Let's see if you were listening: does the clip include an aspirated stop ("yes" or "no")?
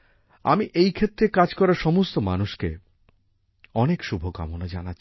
yes